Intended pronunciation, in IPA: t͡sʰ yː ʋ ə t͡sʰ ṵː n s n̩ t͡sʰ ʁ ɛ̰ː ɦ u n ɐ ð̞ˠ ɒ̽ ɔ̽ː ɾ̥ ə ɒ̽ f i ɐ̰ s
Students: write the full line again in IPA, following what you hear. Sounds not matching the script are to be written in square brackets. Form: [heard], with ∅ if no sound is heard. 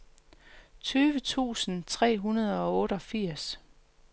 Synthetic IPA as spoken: t͡sʰ yː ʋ ə t͡sʰ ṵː [∅] s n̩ t͡sʰ ʁ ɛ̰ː ɦ u n ɐ ð̞ˠ ɒ̽ ɔ̽ː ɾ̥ ə ɒ̽ f i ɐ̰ s